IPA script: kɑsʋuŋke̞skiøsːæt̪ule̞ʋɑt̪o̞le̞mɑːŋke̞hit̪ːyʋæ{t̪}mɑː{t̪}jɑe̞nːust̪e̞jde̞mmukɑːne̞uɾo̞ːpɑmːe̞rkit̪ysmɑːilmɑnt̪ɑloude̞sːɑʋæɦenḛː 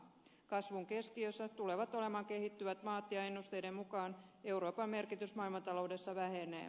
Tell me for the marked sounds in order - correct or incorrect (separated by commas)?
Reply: correct, correct